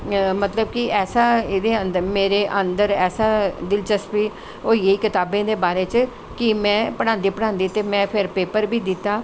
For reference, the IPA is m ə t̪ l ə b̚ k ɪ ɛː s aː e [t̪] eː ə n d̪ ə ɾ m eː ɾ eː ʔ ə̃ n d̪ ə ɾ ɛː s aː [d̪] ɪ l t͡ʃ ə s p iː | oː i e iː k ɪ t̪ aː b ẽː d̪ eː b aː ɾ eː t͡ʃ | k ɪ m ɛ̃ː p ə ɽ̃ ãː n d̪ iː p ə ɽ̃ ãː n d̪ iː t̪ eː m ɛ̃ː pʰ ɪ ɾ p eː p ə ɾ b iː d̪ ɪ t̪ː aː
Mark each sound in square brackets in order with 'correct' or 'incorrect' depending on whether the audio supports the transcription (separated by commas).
incorrect, correct